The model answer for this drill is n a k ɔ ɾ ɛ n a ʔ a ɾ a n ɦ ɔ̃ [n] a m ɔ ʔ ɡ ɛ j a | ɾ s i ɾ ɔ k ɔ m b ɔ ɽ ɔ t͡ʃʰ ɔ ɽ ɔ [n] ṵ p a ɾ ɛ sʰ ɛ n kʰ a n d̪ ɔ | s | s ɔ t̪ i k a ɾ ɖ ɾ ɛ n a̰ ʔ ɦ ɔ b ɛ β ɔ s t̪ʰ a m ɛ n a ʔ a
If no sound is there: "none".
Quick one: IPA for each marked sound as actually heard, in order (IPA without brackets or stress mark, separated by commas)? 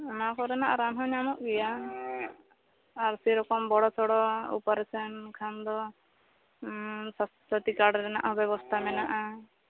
ɲ, none